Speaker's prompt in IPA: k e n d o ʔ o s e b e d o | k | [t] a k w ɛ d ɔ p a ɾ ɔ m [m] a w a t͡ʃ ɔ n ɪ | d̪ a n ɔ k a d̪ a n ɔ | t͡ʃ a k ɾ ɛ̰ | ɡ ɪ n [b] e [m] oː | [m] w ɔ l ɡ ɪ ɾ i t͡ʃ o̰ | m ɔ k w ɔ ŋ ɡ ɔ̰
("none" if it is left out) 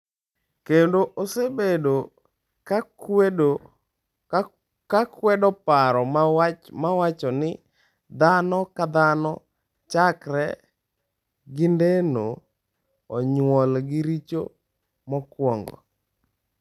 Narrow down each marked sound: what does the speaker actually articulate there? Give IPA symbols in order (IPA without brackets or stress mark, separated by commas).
k, m, d, n, ɲ